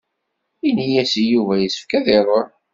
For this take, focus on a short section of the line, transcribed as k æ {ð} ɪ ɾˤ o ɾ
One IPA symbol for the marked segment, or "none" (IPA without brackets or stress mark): ð